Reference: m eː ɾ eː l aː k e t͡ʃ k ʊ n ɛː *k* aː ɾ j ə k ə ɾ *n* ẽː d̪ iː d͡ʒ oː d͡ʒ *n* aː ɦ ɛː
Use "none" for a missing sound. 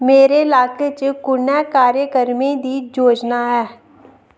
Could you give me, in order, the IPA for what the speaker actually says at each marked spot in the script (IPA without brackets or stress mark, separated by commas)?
k, m, n